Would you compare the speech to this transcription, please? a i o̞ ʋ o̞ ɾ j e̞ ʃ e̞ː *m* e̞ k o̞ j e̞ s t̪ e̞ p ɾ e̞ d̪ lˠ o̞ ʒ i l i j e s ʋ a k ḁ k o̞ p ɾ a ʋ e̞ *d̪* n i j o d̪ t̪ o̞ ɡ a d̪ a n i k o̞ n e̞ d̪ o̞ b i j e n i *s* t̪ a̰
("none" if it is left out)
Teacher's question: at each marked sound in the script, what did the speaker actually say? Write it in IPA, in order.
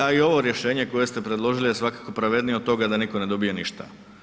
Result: ɲ, d̪, ʃ

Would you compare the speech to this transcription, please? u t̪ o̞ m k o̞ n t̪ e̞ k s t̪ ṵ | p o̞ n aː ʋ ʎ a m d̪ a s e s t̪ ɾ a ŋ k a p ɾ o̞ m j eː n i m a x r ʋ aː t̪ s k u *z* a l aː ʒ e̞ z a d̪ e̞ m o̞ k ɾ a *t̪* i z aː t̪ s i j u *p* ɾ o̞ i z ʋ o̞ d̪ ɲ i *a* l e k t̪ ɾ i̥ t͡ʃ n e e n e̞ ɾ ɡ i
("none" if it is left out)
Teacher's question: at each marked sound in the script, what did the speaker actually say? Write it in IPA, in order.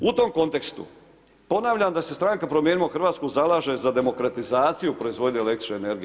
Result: z, t̪, p, e

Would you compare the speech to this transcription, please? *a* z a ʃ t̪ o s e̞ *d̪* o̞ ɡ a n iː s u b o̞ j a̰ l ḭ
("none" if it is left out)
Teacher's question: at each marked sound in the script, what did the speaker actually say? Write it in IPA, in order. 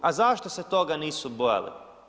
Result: a, t̪

